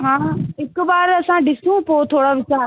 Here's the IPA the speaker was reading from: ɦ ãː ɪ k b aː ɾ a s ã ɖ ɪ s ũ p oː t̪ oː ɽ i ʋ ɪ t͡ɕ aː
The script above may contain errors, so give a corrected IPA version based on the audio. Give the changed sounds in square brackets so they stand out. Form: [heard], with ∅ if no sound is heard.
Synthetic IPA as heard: ɦ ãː ɪ k b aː ɾ [ɐ] s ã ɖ ɪ s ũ p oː [t̪ʰ] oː ɽ [a] ʋ ɪ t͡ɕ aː